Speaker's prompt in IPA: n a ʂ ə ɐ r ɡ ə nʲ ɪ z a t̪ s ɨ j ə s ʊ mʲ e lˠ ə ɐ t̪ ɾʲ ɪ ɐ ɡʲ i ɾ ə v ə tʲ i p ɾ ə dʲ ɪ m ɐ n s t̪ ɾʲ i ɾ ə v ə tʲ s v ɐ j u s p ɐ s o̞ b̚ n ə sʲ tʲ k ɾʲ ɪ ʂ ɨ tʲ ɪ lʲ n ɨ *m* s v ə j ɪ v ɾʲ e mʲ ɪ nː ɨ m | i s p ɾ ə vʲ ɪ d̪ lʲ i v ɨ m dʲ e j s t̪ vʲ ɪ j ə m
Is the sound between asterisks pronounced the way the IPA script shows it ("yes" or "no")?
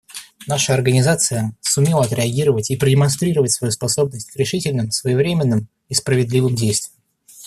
yes